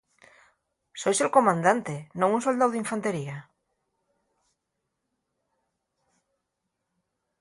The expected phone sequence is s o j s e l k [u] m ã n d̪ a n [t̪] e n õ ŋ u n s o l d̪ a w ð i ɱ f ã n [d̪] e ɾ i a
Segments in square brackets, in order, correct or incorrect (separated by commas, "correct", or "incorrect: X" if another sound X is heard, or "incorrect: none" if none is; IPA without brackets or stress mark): incorrect: o, correct, incorrect: t̪